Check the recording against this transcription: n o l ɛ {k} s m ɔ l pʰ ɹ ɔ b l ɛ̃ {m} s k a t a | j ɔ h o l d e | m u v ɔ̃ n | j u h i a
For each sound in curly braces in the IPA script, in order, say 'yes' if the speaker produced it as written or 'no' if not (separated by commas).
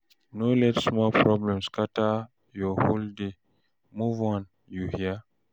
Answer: no, yes